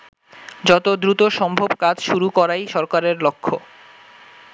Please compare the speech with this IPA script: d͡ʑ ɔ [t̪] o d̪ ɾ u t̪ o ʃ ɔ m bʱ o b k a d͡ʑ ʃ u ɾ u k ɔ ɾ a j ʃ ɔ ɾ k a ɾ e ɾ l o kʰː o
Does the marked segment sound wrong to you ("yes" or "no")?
no